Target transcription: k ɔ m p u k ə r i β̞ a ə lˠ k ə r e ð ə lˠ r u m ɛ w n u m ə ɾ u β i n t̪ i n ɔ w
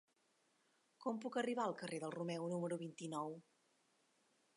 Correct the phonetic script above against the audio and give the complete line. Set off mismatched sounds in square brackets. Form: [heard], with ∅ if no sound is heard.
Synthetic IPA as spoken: k ɔ m p u k ə r i β̞ a ə lˠ k ə r e ð ə lˠ r u m ɛ w n u m ə ɾ u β i n t̪ i n ɔ w